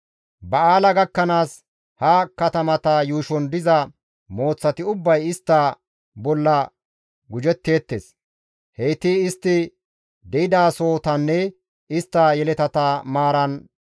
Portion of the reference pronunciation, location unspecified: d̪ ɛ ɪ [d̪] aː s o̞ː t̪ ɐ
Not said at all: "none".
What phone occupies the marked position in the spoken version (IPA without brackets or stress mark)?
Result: d̪